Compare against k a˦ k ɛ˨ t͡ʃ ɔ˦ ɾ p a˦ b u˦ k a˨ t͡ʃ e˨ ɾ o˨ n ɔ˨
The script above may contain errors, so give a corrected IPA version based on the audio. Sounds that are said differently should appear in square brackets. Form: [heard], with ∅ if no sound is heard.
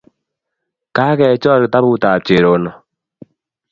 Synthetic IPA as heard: k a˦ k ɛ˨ t͡ʃ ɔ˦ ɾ [t] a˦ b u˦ [t] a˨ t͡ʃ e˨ ɾ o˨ n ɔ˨